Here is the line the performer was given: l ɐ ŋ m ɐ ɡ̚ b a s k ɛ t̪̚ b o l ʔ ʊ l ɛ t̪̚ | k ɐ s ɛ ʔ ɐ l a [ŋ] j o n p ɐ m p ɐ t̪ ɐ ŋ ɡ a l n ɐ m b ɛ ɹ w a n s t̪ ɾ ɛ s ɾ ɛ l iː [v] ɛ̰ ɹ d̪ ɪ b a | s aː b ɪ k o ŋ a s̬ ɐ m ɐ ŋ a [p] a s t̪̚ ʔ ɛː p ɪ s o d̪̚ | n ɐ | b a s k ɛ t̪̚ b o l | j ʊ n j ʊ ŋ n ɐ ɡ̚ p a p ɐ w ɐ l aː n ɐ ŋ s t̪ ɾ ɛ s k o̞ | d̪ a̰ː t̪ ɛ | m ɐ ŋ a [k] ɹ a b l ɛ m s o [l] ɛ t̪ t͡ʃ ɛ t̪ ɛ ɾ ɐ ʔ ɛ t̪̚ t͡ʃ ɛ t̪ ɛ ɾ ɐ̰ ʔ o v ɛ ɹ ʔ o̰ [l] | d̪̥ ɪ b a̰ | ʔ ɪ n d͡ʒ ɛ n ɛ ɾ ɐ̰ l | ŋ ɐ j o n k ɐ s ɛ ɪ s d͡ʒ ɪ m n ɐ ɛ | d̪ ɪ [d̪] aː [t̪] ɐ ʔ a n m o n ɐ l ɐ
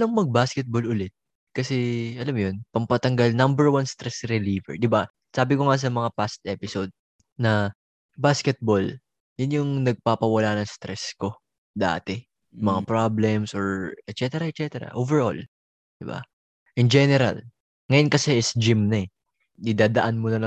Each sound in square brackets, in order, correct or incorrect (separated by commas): incorrect, correct, correct, incorrect, incorrect, correct, correct, incorrect